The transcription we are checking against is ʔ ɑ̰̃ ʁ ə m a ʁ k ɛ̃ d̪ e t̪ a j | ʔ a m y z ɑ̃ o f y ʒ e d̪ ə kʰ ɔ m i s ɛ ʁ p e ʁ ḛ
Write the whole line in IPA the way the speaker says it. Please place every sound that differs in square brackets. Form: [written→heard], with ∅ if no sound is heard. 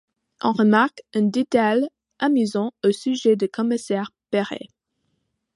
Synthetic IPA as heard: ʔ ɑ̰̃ ʁ ə m a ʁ k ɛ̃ d̪ e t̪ a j | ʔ a m y z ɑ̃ o [f→s] y ʒ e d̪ ə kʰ ɔ m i s ɛ ʁ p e ʁ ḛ